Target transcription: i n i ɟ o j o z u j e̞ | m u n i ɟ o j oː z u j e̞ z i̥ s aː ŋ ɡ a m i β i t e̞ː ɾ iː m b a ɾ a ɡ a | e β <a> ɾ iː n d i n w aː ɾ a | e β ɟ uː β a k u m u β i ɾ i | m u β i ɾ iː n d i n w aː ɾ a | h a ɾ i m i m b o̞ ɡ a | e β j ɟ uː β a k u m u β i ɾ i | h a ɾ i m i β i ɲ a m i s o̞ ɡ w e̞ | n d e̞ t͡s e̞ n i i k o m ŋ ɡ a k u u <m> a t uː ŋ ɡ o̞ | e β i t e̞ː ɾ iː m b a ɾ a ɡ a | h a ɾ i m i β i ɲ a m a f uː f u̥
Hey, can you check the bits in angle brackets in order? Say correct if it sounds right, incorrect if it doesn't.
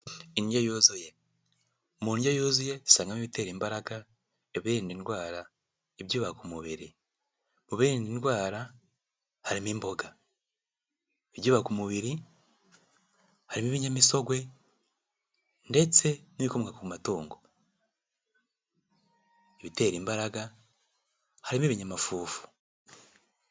incorrect, correct

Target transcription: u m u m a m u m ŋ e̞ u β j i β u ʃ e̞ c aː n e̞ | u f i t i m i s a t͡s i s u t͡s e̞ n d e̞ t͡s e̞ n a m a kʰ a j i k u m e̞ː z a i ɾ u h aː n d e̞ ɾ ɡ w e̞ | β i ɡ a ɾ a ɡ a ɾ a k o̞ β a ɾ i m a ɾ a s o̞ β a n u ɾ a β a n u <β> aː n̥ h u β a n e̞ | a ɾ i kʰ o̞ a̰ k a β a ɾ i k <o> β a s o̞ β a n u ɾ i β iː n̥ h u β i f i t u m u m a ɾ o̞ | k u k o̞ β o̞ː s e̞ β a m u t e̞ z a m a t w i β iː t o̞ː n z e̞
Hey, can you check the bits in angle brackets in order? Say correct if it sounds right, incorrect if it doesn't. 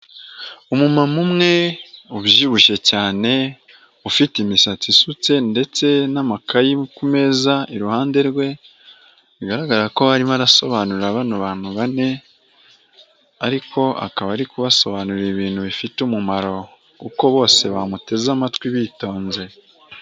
correct, incorrect

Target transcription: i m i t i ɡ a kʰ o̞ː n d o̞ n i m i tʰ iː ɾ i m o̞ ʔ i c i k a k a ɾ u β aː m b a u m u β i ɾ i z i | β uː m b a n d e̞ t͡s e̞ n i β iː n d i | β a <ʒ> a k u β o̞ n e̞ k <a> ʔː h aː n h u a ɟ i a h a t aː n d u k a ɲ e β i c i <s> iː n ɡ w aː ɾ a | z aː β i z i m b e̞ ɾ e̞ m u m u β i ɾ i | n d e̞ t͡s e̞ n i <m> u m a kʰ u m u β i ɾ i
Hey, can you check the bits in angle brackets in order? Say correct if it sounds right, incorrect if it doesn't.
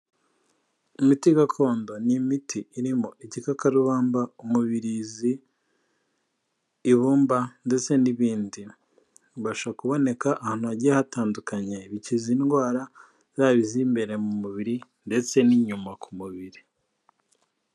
incorrect, correct, incorrect, incorrect

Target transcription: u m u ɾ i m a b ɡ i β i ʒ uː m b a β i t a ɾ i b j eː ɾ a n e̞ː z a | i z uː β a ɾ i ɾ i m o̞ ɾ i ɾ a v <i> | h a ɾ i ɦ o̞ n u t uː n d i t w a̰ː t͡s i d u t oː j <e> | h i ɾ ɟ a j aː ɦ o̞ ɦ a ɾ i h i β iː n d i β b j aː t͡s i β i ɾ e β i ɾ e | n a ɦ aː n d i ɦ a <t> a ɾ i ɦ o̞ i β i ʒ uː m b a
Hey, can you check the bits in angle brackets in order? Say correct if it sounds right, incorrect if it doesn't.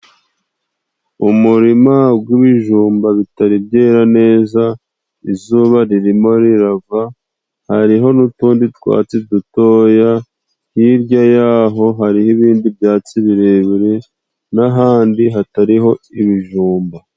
incorrect, incorrect, correct

